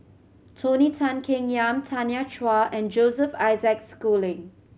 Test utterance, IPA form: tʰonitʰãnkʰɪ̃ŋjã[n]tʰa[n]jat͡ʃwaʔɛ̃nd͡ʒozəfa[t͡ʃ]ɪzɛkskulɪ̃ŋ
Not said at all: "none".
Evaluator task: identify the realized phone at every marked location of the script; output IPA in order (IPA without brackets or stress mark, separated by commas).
m, n, none